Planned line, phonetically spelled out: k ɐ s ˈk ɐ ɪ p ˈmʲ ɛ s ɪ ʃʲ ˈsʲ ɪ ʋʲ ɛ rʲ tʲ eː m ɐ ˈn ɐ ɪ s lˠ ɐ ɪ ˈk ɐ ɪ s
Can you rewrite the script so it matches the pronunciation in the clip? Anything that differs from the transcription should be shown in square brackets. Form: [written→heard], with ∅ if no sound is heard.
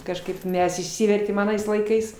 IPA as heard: k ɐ [s→ʃ] ˈk ɐ ɪ p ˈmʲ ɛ s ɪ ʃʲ ˈsʲ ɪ ʋʲ ɛ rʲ tʲ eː m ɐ ˈn ɐ ɪ s lˠ ɐ ɪ ˈk ɐ ɪ s